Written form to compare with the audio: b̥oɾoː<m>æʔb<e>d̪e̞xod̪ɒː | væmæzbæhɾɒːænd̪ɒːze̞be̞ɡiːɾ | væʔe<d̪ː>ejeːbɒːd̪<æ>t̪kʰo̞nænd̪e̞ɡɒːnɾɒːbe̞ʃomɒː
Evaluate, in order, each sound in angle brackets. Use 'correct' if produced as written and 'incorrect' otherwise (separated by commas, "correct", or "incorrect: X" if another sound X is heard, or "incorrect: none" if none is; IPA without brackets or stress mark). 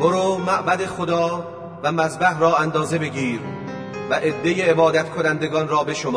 correct, incorrect: æ, correct, correct